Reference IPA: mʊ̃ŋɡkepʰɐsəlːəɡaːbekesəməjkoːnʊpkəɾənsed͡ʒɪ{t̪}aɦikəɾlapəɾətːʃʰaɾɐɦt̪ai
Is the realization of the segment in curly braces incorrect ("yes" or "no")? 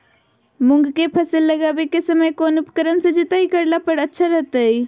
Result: no